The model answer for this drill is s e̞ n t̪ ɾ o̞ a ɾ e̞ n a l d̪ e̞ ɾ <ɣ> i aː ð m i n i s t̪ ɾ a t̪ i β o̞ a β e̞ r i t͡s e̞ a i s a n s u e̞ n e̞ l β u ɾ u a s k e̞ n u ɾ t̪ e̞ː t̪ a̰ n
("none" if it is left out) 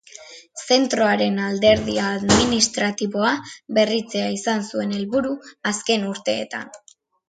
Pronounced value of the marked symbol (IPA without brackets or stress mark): ð